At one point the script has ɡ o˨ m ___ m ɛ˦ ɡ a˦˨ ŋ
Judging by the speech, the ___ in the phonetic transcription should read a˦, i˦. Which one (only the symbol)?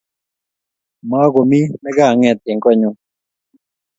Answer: i˦